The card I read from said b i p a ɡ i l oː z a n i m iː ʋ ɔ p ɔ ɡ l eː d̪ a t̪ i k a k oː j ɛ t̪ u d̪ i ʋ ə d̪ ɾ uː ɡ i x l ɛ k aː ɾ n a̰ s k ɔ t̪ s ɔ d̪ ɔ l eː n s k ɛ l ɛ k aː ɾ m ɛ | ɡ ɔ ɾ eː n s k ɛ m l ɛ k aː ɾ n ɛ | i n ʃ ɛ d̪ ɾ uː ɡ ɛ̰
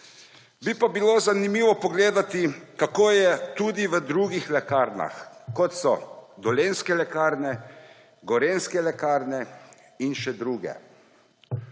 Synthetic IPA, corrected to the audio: b i p a b i l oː z a n i m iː ʋ ɔ p ɔ ɡ l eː d̪ a t̪ i k a k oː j ɛ t̪ u d̪ i ʋ ə d̪ ɾ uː ɡ i x l ɛ k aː ɾ n a̰ x k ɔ t̪ s ɔ d̪ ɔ l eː n s k ɛ l ɛ k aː ɾ n ɛ | ɡ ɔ ɾ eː n s k ɛ l ɛ k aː ɾ n ɛ | i n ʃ ɛ d̪ ɾ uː ɡ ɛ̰